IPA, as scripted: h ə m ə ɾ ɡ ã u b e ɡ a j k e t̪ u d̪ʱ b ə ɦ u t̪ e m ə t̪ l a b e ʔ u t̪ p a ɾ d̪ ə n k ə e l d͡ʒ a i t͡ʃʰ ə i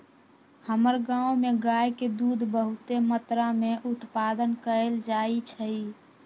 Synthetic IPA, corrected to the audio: h ə m ə ɾ ɡ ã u m e ɡ a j k e d̪ u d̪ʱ b ə ɦ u t̪ e m ə t̪ ɾ a m e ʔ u t̪ p a d̪ ə n k ə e l d͡ʒ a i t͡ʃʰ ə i